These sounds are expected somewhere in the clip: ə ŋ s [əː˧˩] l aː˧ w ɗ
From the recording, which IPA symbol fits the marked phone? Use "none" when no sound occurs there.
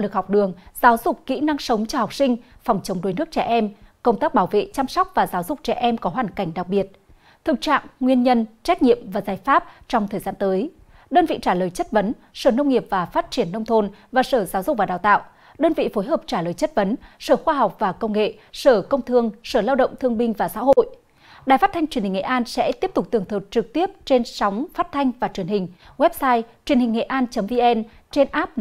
əː˧˩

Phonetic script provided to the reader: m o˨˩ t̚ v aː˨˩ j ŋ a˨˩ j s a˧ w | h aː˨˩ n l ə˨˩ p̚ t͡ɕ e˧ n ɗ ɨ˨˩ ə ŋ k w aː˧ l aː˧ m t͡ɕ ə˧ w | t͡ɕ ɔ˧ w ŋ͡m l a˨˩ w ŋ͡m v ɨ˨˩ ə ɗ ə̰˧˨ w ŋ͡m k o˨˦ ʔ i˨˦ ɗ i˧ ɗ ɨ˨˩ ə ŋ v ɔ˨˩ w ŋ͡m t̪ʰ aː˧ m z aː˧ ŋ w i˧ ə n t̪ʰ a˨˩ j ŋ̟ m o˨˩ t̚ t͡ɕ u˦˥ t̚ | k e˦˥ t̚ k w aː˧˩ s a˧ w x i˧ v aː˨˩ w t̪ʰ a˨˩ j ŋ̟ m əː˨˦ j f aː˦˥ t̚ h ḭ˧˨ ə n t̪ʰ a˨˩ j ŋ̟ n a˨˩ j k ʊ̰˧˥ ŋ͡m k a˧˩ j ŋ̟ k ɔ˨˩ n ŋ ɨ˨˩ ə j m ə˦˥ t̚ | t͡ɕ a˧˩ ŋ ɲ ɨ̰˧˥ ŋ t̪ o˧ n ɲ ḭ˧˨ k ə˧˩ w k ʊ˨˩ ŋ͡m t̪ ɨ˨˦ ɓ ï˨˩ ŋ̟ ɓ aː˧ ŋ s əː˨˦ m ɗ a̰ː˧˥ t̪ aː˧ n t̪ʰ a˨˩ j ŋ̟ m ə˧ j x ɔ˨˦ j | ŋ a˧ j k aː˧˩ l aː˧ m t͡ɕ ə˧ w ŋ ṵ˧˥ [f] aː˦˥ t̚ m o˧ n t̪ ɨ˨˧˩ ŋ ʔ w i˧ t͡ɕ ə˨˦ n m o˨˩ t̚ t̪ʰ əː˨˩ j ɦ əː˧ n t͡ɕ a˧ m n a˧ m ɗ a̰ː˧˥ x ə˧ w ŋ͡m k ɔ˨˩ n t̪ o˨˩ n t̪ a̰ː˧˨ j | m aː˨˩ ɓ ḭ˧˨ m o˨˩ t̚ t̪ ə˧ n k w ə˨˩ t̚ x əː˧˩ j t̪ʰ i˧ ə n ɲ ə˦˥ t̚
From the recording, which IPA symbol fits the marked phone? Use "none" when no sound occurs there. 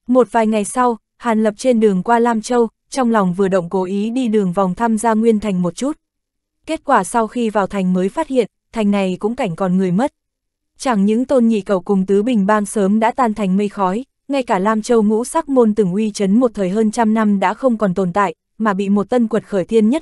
s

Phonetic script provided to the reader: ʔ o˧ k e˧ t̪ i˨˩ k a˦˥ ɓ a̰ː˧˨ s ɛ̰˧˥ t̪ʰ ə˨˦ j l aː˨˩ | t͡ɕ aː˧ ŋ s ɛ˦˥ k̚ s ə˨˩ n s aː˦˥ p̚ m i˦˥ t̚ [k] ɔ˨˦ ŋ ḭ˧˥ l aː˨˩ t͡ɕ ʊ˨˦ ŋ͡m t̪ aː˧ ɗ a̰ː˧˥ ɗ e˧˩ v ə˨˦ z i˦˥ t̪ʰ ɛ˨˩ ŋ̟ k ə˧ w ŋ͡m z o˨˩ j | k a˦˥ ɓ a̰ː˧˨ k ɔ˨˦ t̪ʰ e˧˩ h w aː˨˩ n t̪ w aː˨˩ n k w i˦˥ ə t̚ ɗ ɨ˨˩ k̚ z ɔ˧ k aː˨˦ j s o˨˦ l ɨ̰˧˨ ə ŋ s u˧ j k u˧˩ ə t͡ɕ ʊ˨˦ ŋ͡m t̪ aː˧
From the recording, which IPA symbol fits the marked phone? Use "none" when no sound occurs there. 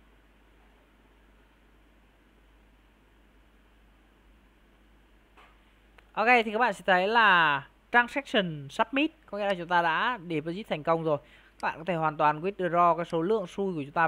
k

